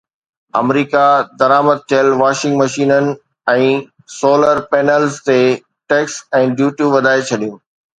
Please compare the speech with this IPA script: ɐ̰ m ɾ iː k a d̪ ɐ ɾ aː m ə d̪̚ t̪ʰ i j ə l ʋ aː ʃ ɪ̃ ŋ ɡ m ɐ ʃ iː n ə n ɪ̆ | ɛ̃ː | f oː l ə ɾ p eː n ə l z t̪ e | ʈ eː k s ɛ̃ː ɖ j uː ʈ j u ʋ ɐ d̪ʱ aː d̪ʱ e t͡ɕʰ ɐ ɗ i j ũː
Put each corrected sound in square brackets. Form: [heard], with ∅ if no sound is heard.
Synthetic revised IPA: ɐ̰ m ɾ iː k a d̪ ɐ ɾ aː m ə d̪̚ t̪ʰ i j ə l ʋ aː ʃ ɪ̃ ŋ ɡ m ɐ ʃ iː n ə n ɪ̆ | ɛ̃ː | [s] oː l ə ɾ p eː n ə l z t̪ e | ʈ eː k s ɛ̃ː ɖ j uː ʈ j u ʋ ɐ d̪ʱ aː [∅] e t͡ɕʰ ɐ ɗ i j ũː